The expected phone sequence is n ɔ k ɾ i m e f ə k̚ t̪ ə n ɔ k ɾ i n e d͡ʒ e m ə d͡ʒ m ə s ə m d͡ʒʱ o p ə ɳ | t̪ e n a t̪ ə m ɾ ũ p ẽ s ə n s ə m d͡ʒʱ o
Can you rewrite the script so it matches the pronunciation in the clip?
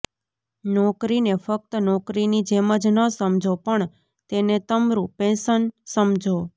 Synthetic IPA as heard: n ɔ k ɾ i n e f ə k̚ t̪ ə n ɔ k ɾ i n i d͡ʒ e m ə d͡ʒ n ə s ə m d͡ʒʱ o p ə ɳ | t̪ e n e t̪ ə m ɾ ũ p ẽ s ə n s ə m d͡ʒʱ o